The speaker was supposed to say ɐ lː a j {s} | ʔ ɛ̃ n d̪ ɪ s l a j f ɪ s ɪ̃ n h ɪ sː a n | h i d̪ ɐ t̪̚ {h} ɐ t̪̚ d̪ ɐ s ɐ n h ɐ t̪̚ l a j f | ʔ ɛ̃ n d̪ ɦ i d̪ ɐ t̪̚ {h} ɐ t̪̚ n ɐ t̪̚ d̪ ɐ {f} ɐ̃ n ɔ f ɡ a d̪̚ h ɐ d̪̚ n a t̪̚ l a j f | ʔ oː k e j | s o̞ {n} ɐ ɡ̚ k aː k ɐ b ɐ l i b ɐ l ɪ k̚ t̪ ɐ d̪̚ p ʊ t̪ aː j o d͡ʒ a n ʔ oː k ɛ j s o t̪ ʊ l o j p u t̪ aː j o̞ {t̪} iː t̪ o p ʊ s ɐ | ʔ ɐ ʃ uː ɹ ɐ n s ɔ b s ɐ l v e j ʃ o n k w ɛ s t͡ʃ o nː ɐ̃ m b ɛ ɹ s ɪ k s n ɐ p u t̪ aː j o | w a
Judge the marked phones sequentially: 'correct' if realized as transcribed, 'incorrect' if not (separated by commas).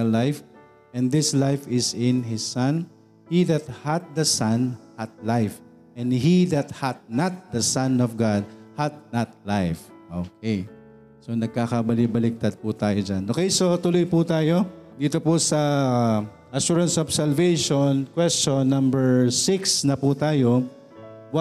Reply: incorrect, correct, correct, incorrect, correct, incorrect